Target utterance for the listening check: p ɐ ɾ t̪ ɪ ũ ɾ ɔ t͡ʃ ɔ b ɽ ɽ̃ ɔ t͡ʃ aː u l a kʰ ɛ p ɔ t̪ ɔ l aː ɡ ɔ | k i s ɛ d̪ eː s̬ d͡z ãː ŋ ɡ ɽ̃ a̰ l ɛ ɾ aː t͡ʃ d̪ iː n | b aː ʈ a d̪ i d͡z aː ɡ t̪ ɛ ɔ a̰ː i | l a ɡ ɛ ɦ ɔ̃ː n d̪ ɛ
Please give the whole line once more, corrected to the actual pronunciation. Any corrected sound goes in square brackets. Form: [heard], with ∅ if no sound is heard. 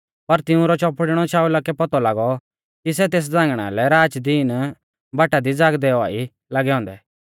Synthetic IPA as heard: p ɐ ɾ t̪ ɪ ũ ɾ ɔ t͡ʃ ɔ [p] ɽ ɽ̃ ɔ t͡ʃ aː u l a [k] ɛ p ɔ t̪ ɔ l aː ɡ ɔ | k i s ɛ [t̪] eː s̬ d͡z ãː ŋ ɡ ɽ̃ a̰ l ɛ ɾ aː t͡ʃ d̪ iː n | b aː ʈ a d̪ i d͡z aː ɡ [d̪] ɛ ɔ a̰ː i | l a ɡ ɛ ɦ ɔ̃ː n d̪ ɛ